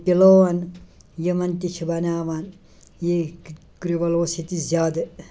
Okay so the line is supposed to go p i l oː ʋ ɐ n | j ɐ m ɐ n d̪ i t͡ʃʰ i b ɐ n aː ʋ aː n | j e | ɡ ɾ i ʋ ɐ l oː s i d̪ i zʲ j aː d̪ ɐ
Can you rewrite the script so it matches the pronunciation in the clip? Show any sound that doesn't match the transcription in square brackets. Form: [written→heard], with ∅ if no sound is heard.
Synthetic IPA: p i l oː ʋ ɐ n | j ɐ m ɐ n [d̪→t̪] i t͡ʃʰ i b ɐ n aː ʋ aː n | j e | [ɡ→k] ɾ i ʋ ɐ l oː s i [d̪→t̪] i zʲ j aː d̪ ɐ